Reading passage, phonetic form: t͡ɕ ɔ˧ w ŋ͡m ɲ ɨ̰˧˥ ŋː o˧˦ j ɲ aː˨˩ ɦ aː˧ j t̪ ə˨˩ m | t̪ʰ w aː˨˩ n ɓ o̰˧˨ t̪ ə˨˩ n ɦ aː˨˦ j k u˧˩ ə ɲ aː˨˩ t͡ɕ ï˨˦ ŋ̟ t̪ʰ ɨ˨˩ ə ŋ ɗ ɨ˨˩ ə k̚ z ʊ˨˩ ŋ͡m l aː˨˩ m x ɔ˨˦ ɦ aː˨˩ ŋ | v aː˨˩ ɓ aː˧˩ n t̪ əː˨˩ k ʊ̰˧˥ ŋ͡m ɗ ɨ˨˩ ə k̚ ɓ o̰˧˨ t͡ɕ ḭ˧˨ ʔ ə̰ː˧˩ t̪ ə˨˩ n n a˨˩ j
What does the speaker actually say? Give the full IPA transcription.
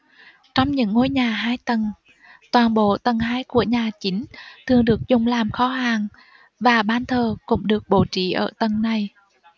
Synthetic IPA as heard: t͡ɕ ɔ˧ w ŋ͡m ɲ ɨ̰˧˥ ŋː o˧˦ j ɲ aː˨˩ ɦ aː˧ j t̪ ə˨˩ n | t̪ w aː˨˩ n ɓ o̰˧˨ t̪ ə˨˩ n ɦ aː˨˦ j k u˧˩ ə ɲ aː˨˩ t͡ɕ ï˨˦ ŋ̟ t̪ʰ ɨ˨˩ ə ŋ ɗ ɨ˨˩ ə k̚ z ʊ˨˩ ŋ͡m l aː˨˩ m x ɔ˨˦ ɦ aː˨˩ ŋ | v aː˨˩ ɓ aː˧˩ n t̪ʰ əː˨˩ k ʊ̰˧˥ ŋ͡m ɗ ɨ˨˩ ə k̚ ɓ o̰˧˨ t͡ɕ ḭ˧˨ ʔ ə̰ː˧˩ t̪ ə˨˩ n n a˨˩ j